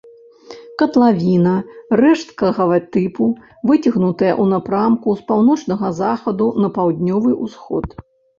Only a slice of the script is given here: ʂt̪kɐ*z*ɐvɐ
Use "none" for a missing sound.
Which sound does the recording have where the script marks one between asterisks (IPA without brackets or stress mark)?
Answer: ɣ